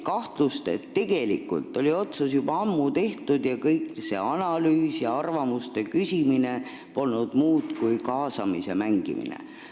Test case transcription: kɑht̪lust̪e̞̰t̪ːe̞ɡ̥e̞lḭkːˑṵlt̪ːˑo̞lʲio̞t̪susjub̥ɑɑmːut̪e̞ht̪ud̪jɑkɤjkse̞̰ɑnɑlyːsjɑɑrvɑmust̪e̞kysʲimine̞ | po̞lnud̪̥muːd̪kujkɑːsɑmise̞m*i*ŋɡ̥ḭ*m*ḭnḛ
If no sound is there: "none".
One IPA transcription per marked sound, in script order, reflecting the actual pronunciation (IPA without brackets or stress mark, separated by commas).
æ, m